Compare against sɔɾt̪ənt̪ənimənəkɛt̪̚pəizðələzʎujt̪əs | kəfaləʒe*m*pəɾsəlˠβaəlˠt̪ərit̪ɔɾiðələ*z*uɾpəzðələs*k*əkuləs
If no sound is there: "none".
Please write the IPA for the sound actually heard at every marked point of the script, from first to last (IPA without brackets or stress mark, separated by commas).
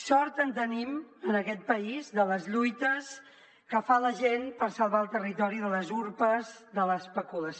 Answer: n, z, p